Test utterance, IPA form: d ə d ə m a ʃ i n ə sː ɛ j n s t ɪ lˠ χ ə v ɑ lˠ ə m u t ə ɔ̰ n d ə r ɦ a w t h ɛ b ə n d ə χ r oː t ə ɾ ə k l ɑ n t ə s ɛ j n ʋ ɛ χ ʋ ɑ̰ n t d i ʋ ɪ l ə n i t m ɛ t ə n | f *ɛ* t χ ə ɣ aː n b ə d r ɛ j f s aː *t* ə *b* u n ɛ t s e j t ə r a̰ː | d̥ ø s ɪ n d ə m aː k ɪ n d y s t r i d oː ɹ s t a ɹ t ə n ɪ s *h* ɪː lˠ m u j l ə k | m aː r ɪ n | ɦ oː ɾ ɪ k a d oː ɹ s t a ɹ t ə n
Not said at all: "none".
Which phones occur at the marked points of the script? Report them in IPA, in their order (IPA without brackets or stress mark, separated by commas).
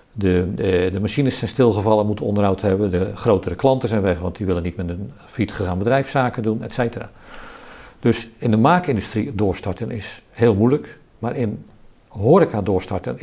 i, k, d, h